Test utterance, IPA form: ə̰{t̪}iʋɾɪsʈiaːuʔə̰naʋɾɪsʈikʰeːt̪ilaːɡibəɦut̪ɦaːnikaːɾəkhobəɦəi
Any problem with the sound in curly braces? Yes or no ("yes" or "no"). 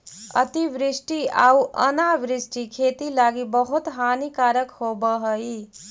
no